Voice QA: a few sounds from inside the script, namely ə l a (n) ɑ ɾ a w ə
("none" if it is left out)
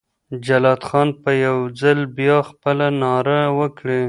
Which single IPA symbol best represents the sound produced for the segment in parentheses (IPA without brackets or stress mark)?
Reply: n